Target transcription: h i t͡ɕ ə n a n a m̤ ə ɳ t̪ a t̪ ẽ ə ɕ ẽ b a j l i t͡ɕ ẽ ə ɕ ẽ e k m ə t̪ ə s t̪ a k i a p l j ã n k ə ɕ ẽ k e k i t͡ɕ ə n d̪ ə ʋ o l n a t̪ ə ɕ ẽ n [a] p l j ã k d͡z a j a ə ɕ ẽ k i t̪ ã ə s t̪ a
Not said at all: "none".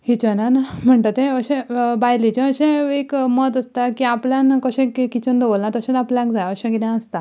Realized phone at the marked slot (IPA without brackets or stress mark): a